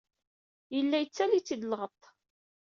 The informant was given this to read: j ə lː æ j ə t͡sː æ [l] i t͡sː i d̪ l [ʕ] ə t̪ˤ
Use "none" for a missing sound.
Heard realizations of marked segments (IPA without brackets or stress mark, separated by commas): l, ʁ